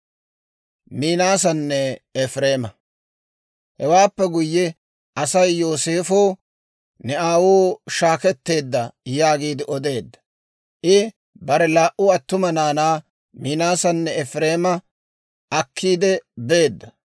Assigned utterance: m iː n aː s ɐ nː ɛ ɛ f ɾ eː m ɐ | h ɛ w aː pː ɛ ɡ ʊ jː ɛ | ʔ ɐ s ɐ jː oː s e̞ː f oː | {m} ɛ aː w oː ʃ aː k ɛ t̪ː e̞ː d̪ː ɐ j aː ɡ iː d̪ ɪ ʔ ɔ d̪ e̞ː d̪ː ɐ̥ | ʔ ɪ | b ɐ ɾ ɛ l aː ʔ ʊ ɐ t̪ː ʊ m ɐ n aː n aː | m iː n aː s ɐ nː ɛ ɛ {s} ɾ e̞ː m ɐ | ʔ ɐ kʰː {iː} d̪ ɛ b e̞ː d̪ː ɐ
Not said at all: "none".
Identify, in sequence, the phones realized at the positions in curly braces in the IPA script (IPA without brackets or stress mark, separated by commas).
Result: n, f, iː